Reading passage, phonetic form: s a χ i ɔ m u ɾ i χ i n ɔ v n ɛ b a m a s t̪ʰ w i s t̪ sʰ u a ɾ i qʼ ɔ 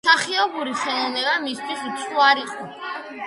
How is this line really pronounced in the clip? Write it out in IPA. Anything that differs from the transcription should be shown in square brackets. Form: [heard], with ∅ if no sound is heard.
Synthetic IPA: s a χ i ɔ [b] u ɾ i χ [ɛ] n ɔ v n ɛ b a m [i] s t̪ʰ w i s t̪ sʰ u a ɾ i qʼ ɔ